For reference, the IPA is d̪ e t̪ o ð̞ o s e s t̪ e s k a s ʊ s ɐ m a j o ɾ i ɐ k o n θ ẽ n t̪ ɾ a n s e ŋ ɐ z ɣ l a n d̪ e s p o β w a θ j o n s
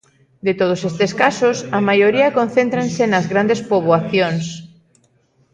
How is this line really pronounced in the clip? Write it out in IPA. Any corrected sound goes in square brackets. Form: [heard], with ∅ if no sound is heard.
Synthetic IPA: d̪ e t̪ o ð̞ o s e s t̪ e s k a s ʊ s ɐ m a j o ɾ i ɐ k o n θ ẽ n t̪ ɾ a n s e [n] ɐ z ɣ [ɾ] a n d̪ e s p o β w a θ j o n s